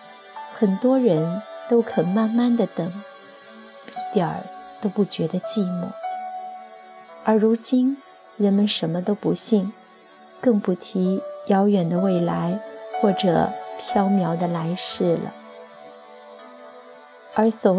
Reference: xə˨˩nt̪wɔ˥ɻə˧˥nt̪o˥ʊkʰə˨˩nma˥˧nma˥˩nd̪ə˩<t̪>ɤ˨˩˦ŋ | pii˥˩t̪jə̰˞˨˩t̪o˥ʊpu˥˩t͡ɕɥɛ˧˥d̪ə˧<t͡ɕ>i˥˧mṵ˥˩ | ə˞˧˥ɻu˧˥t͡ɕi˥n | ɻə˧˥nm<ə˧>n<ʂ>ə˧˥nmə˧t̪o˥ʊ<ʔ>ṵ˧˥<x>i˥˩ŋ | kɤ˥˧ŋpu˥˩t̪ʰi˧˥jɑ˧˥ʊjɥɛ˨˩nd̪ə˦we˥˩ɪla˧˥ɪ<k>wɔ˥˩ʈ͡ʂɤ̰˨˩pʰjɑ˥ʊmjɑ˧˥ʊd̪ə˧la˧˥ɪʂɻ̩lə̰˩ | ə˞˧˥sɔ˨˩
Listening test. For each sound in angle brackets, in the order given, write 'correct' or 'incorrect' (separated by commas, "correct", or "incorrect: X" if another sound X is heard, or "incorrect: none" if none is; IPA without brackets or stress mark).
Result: correct, correct, correct, correct, incorrect: p, incorrect: ɕ, incorrect: x